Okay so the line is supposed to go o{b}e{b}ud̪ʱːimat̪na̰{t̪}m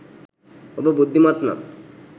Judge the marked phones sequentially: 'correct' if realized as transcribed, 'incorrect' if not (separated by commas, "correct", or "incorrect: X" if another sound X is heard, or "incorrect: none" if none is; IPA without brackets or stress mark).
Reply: correct, correct, incorrect: none